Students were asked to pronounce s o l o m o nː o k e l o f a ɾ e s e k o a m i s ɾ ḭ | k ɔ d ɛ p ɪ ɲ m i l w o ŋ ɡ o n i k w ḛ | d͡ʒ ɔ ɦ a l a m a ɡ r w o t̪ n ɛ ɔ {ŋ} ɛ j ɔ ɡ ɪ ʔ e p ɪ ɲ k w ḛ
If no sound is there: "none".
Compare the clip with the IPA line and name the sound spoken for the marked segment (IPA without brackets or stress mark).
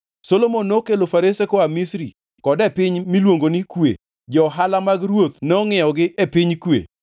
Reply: ŋ